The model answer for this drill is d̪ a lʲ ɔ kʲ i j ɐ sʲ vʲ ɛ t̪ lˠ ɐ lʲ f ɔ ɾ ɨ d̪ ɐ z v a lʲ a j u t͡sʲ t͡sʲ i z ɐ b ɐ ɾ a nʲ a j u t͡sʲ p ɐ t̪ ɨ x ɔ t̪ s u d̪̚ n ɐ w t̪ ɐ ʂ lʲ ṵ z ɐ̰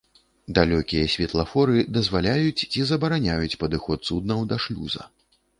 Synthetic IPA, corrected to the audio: d̪ a lʲ ɔ kʲ i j ɐ sʲ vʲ ɛ t̪ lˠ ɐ f ɔ ɾ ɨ d̪ ɐ z v a lʲ a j u t͡sʲ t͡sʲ i z ɐ b ɐ ɾ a nʲ a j u t͡sʲ p ɐ d̪ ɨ x ɔ t̪ s u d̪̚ n ɐ w d̪ ɐ ʂ lʲ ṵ z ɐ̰